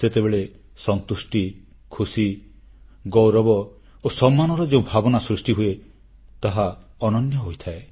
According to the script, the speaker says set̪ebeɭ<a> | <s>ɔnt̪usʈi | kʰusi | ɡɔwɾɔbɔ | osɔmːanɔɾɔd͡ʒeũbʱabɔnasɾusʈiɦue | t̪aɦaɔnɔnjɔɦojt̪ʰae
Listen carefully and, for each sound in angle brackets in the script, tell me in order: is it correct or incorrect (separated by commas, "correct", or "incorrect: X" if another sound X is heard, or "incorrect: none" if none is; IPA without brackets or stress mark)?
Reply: incorrect: e, correct